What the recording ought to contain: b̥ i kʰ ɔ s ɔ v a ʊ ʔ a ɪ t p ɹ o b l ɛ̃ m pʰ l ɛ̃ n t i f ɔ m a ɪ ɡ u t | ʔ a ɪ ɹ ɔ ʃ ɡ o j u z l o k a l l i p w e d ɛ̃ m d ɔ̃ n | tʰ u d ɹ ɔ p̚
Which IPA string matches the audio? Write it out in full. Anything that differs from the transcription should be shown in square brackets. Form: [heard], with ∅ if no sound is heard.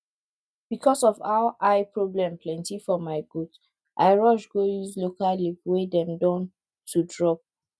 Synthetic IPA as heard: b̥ i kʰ ɔ s ɔ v a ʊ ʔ a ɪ [∅] p ɹ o b l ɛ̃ m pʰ l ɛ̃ n t i f ɔ m a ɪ ɡ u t | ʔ a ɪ ɹ ɔ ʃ ɡ o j u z l o k a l l i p w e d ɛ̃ m d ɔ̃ n | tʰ u d ɹ ɔ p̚